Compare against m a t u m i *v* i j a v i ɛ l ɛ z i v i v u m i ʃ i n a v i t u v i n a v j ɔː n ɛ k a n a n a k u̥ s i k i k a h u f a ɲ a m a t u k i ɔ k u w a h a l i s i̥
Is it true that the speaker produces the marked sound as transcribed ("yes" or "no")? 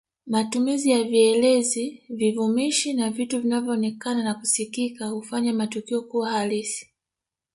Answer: no